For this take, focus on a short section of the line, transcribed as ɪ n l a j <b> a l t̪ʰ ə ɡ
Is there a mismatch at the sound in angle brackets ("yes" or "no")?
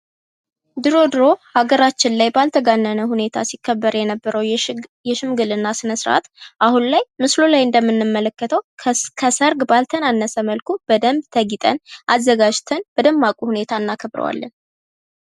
no